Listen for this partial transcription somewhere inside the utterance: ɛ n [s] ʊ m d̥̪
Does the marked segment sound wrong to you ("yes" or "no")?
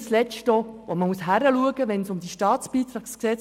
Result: no